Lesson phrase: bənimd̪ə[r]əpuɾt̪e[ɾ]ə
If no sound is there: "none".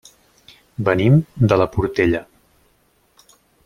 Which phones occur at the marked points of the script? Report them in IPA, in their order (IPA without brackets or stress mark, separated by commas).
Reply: l, ʎ